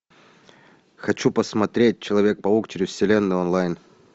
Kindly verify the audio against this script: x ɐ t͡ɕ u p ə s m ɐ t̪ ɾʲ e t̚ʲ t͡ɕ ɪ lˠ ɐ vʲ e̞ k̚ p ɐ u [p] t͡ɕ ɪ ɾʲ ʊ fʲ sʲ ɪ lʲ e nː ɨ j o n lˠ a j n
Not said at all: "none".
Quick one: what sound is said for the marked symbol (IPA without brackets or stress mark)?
k